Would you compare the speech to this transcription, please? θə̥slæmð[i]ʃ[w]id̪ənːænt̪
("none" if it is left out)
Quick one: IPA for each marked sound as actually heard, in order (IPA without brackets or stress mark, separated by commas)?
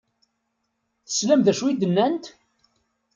æ, w